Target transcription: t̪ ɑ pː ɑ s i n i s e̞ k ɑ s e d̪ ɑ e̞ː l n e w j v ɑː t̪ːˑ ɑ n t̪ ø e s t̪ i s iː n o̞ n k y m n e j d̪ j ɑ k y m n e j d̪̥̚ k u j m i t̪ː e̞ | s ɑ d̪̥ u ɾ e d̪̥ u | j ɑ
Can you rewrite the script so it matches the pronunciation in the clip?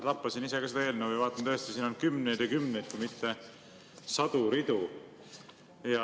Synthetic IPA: t̪ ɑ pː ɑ s i n i s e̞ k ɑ s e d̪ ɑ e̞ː l n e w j v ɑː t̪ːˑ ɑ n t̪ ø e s t̪ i s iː n o̞ n k y m n e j d̪ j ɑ k y m n e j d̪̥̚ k u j m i t̪ː e̞ | s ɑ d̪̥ u ɾ i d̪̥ u | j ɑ

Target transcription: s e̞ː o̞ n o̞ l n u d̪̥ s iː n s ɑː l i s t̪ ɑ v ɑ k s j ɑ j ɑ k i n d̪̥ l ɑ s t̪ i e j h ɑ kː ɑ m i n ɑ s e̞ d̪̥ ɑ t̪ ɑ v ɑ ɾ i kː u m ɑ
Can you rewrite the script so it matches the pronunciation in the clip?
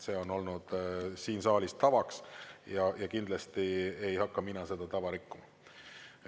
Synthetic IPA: s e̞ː o̞ n o̞ l n u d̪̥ s iː n s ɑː l i s t̪ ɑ v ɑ k s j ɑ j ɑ k i n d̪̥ l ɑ s t̪ i e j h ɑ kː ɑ m i n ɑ s e̞ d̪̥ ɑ t̪ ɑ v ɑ ɾ i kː u m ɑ

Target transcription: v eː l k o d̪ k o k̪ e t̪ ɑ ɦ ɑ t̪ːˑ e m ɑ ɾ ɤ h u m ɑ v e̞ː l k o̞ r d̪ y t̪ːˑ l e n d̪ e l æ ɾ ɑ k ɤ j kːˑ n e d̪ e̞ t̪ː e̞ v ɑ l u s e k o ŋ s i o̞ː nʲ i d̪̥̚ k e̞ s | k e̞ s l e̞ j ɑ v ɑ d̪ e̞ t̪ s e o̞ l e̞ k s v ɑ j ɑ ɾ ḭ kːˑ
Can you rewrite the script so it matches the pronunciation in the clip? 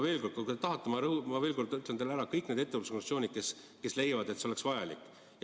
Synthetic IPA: v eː l k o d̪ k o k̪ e t̪ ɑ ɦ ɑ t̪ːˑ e m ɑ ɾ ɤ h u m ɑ v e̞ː l k o̞ r d̪ y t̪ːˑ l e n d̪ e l æ ɾ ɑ k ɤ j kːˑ n e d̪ e̞ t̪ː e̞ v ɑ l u s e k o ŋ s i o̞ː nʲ i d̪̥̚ k e̞ s | k e̞ s l e̞ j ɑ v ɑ d̪ e̞ t̪ s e o̞ l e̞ k s v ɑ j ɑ l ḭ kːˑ

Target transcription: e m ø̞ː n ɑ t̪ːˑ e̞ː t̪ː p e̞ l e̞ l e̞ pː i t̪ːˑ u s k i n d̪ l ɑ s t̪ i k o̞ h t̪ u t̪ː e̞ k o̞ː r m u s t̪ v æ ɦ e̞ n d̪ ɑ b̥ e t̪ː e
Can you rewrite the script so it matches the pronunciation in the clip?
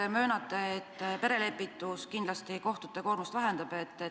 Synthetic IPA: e m ø̞ː n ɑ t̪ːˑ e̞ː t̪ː p e̞ ɾ e̞ l e̞ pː i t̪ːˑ u s k i n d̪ l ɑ s t̪ i k o̞ h t̪ u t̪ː e̞ k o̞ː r m u s t̪ v æ ɦ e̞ n d̪ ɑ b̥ e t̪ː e

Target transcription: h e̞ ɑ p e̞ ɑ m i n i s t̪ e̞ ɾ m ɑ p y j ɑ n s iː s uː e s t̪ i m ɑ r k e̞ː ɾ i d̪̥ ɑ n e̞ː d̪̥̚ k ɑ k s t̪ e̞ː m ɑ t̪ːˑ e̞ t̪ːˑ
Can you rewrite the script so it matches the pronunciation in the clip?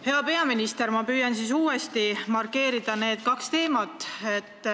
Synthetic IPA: h e̞ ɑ p e̞ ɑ m i n i s t̪ e̞ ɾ m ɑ p yː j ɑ n s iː s uː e s t̪ i m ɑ r k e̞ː ɾ i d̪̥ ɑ n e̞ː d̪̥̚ k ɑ k s t̪ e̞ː m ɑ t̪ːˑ e̞ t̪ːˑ

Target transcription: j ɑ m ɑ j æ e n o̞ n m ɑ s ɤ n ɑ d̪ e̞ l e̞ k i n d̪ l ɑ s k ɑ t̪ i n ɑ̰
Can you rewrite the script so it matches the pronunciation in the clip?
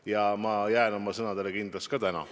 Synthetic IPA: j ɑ m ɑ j æ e n o̞ m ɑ s ɤ n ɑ d̪ e̞ l e̞ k i n d̪ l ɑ s k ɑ t̪ æ n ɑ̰

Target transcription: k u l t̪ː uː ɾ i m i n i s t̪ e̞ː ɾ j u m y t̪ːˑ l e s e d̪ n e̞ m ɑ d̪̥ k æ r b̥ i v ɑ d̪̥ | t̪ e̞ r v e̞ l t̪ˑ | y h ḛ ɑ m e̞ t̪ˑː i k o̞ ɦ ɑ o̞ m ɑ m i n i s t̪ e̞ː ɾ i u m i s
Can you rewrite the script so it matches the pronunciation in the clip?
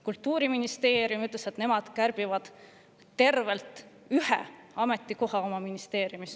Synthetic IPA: k u l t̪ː uː ɾ i m i n i s t̪ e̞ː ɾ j u m y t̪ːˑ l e s e t̪ n e̞ m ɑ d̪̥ k æ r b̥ i v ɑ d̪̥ | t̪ e̞ r v e̞ l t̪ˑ | y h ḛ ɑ m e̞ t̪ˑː i k o̞ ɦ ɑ o̞ m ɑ m i n i s t̪ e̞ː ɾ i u m i s

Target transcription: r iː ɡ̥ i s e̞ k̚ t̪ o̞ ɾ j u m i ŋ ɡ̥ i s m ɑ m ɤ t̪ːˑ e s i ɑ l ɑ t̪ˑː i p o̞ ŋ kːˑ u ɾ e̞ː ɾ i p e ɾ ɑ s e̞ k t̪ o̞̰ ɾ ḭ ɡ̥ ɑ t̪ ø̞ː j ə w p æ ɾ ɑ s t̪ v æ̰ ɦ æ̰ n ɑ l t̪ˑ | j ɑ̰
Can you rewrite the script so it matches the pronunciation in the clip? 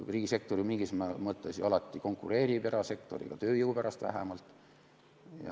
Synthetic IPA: r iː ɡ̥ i s e̞ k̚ t̪ o̞ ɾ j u m i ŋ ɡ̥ i s m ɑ m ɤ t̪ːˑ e s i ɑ l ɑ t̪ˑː i k o̞ ŋ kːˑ u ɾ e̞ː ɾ i p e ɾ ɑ s e̞ k t̪ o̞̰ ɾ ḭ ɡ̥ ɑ t̪ ø̞ː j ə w p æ ɾ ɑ s t̪ v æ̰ ɦ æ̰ m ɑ l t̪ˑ | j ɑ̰

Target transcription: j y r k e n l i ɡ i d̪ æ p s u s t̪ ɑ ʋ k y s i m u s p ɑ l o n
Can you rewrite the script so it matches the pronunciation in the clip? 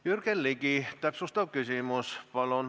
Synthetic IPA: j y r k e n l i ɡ i t̪ æ p s u s t̪ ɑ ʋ k y s i m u s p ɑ l o n

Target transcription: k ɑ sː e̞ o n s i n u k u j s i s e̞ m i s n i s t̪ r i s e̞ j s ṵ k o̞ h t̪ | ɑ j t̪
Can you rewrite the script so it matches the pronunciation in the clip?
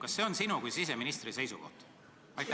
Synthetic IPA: k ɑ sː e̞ o n s i n u k u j s i s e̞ m i n i s t̪ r i s e̞ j s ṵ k o̞ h t̪ | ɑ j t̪

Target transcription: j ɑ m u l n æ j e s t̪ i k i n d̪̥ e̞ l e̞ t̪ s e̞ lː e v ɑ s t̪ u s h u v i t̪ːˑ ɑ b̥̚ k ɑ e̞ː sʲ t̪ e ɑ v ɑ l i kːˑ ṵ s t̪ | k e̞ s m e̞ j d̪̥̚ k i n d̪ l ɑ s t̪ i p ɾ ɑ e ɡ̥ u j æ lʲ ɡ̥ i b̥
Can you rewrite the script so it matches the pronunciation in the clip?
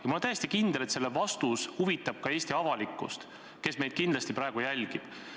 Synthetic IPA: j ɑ m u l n æ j e s t̪ i k i n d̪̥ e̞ l e̞ t̪ s e̞ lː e v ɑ s t̪ u s h u v i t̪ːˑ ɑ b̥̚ k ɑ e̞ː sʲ t̪ i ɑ v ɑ l i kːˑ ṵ s t̪ | k e̞ s m e̞ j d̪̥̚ k i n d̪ l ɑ s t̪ i p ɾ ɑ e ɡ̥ u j æ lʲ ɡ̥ i b̥

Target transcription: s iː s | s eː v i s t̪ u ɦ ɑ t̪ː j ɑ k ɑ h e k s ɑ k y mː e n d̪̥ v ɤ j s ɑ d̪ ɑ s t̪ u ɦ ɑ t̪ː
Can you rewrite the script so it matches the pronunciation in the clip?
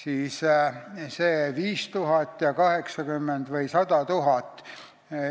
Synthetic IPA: s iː s | s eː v iː s t̪ u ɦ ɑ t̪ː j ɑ k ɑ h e k s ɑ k y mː e n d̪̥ v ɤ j s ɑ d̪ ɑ t̪ u ɦ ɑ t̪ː

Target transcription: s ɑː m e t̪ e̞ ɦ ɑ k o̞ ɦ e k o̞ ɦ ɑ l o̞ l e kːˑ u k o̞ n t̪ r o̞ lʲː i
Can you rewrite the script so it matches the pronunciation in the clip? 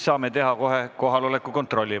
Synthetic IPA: s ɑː m e t̪ e̞ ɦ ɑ k o̞ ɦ e k o̞ ɦ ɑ l o̞ l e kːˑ u k o̞ n t̪ r o̞ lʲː i

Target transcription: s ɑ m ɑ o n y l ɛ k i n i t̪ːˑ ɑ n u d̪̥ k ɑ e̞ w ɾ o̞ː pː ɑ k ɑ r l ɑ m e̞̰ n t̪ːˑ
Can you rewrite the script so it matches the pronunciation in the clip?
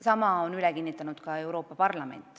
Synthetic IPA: s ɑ m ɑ o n y l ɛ k i nː i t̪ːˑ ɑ n u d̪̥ k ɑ e̞ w ɾ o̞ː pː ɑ p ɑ r l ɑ m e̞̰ n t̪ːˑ

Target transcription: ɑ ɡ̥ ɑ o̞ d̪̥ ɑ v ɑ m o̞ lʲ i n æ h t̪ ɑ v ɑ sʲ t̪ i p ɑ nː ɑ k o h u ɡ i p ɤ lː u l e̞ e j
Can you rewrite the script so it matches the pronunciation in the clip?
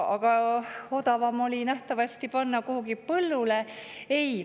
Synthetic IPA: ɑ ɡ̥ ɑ o̞ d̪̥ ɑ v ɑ m o̞ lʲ i n æ h t̪ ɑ v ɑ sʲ t̪ i p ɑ nː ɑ k u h u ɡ i p ɤ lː u l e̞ e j

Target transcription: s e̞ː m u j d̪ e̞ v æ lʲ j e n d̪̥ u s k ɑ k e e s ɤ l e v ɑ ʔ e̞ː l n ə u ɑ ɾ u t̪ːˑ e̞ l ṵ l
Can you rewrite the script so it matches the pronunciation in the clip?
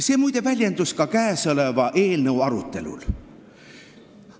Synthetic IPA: s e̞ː m u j d̪ e̞ v æ lʲ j e n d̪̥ u s k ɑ k æ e s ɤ l e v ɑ ʔ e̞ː l n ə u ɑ ɾ u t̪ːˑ e̞ l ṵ l

